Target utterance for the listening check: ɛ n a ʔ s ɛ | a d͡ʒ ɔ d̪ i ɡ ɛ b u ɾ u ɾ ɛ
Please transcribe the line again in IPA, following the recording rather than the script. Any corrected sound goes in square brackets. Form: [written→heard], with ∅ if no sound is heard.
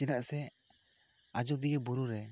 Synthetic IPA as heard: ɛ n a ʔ s ɛ | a d͡ʒ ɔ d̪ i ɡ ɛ b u ɾ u ɾ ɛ